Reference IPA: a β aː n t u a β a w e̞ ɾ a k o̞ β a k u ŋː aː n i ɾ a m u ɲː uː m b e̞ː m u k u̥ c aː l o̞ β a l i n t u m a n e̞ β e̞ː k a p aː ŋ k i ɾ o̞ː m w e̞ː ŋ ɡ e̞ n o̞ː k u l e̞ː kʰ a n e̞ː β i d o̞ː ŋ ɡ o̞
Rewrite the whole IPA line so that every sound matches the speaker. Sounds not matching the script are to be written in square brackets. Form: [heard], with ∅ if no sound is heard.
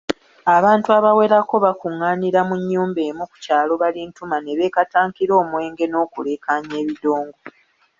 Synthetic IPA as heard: a β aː n t u a β a w e̞ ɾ a k o̞ β a k u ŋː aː n i ɾ a m u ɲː uː m b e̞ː m u k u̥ c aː l o̞ β a l i n t u m a n e̞ β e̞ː k a [t] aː ŋ k i ɾ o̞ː m w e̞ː ŋ ɡ e̞ n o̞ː k u l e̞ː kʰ a [ɲ] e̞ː β i d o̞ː ŋ ɡ o̞

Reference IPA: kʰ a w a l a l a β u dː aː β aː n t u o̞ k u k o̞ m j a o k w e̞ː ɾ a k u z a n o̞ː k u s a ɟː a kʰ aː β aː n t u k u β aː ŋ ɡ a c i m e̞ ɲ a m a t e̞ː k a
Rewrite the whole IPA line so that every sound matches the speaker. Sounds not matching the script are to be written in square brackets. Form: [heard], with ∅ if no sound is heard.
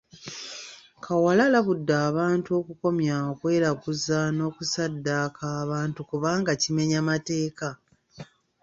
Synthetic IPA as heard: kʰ a w a l a l a β u dː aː β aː n t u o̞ k u k o̞ m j a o k w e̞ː ɾ a k u z a n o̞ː k u s a [dː] a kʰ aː β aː n t u k u β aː ŋ ɡ a c i m e̞ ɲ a m a t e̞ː k a

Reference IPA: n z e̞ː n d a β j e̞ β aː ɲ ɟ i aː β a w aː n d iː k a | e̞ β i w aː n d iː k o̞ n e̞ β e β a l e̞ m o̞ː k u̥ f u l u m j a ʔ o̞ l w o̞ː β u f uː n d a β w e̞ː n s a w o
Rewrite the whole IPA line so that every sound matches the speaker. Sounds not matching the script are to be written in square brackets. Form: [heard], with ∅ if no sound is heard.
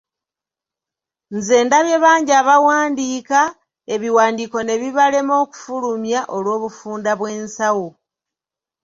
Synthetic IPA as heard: n z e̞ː n d a β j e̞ β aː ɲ ɟ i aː β a w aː n d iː k a | e̞ β i w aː n d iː k o̞ n e̞ β [i] β a l e̞ m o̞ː k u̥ f u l u m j a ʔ o̞ l w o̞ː β u f uː n d a β w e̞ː n s a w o

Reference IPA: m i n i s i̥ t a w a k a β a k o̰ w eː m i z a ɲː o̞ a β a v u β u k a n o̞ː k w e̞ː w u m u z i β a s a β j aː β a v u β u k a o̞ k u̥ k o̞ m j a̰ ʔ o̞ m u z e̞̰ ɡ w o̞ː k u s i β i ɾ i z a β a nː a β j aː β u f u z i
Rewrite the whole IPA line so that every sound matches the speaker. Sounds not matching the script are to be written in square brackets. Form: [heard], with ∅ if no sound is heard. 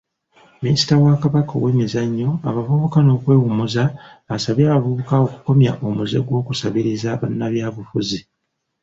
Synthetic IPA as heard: m i n i s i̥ t a w a k a β a k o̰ w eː m i z a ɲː o̞ a β a v u β u k a n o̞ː k w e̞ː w u m u z [a] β a s a β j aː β a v u β u k a o̞ k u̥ k o̞ m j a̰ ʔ o̞ m u z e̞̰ ɡ w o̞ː k u s [a] β i ɾ i z a β a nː a β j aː β u f u z i

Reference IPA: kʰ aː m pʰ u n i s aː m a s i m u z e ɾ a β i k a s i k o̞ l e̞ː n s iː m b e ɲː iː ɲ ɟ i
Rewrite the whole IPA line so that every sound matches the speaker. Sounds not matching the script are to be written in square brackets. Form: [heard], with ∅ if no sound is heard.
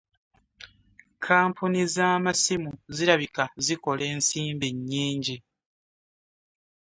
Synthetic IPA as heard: kʰ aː m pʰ u n i [z] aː m a s i m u z [i] ɾ a β i k a [z] i k o̞ l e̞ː n s iː m b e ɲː iː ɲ ɟ i

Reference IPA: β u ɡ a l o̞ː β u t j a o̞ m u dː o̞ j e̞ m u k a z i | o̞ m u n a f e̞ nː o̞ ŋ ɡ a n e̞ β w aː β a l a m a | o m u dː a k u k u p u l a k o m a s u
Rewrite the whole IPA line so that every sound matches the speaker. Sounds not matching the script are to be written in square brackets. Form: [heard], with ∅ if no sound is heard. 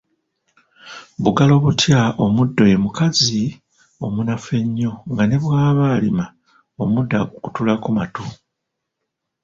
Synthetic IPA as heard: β u ɡ a l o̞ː β u t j a o̞ m u dː o̞ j e̞ m u k a z i | o̞ m u n a f e̞ [ɲː] o̞ ŋ ɡ a n e̞ β w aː β a l [i] m a | o m u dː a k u k u [t] u l a k [u] m a [t] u

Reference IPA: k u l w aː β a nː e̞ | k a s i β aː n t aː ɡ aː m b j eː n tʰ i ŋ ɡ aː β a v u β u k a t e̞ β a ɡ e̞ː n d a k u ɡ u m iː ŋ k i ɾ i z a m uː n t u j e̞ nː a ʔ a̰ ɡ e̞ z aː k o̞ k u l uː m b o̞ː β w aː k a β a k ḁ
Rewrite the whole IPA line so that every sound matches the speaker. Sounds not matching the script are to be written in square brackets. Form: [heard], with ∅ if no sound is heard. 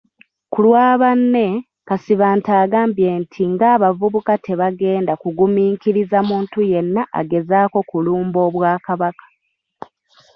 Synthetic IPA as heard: k u l w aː β a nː e̞ | k a s i β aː n t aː ɡ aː m b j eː n tʰ i ŋ ɡ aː β a v u β u k a t e̞ β a ɡ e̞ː n d a k u ɡ u m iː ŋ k i ɾ i z a m uː n t u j e̞ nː a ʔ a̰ ɡ e̞ z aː k o̞ k u l uː m b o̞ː β w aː k a β a k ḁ

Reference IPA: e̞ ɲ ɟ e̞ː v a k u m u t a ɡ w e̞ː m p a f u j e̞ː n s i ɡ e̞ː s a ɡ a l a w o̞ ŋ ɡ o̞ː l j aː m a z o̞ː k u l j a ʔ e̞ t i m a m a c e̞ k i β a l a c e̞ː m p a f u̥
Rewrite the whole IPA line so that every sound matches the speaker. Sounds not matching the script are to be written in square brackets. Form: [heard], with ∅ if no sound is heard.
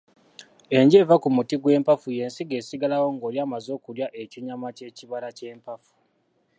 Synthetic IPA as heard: e̞ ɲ ɟ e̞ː v a k u m u t [i] ɡ w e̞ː m p a f u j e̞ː n s i ɡ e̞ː s [i] ɡ a l a w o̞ ŋ ɡ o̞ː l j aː m a z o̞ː k u l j a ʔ e̞ [c] i [ɲ] a m a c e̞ [c] i β a l a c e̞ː m p a f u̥

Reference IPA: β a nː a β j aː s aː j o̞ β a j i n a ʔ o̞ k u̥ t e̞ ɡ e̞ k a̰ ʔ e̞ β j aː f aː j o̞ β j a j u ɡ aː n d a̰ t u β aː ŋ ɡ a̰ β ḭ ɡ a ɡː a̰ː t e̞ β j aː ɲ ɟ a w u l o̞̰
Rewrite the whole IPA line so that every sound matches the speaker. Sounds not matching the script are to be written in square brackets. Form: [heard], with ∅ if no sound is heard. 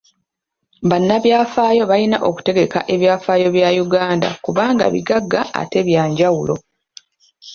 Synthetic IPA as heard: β a nː a β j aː [f] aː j o̞ β a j i n a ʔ o̞ k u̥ t e̞ ɡ e̞ k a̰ ʔ e̞ β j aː f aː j o̞ β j a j u ɡ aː n d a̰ [k] u β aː ŋ ɡ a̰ β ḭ ɡ a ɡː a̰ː t e̞ β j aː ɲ ɟ a w u l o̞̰

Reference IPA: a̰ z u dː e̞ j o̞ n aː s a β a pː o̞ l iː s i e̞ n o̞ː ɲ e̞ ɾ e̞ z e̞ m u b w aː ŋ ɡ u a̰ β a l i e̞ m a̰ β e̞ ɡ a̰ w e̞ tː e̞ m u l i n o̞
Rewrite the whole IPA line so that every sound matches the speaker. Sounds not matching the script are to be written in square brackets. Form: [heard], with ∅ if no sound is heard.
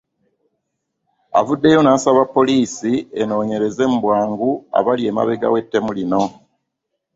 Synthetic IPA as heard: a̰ [v] u dː e̞ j o̞ n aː s a β a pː o̞ l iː s i e̞ n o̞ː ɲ e̞ ɾ e̞ z e̞ m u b w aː ŋ ɡ u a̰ β a l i e̞ m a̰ β e̞ ɡ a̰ w e̞ tː e̞ m u l i n o̞

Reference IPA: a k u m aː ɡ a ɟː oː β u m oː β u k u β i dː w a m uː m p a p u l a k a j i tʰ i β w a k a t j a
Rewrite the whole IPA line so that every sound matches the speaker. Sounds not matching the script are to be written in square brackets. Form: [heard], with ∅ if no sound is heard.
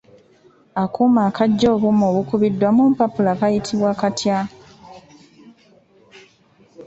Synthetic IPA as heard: a k u m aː [k] a ɟː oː β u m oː β u k u β i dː w a m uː m p a p u l a k a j i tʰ i β w a k a t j a

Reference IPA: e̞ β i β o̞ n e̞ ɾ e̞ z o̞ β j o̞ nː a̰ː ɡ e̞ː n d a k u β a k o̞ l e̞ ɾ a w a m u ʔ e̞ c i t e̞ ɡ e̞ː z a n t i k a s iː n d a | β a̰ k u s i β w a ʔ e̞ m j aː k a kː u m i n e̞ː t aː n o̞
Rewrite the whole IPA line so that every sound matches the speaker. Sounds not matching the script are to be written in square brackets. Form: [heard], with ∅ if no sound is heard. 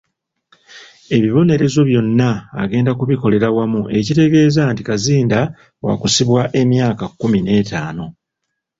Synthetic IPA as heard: e̞ β i β o̞ n e̞ ɾ e̞ z o̞ β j o̞ nː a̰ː ɡ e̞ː n d a k u β [i] k o̞ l e̞ ɾ a w a m u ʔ e̞ c i t e̞ ɡ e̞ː z a n t i k a [z] iː n d a | [w] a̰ k u s i β w a ʔ e̞ m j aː k a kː u m i n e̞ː t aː n o̞

